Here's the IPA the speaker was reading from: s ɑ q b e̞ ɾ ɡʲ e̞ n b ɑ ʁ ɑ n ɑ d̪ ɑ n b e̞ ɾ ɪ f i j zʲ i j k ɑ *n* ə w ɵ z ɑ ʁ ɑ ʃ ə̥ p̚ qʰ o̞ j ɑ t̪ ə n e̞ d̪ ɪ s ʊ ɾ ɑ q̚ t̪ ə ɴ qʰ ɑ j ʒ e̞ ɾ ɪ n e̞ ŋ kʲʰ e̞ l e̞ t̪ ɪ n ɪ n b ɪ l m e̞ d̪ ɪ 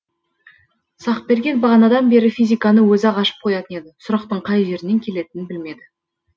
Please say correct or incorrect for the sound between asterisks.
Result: correct